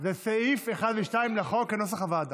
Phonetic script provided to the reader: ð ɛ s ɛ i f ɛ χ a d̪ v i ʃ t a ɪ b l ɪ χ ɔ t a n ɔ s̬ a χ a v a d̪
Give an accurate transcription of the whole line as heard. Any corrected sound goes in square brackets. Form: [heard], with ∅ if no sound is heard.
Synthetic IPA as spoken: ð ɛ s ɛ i f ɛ χ a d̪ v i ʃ t a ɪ [m] l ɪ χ ɔ [k] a n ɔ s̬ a χ a v a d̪